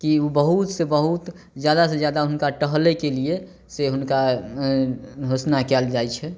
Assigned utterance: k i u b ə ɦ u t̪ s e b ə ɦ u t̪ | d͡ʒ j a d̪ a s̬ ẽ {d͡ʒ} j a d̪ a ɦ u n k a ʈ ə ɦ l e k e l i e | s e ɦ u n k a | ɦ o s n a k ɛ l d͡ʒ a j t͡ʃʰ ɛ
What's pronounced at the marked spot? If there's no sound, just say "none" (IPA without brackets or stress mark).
d͡ʒ